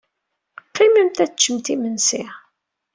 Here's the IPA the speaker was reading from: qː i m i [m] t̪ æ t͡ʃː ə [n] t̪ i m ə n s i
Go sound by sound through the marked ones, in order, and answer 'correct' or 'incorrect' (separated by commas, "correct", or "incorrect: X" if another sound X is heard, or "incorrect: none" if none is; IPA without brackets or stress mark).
correct, incorrect: m